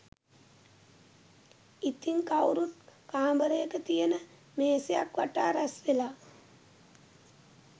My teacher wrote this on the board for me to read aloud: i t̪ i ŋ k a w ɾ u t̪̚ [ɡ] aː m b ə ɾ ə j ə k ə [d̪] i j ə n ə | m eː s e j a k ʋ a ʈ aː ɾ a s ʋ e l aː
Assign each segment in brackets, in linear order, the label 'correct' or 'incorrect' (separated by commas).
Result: incorrect, incorrect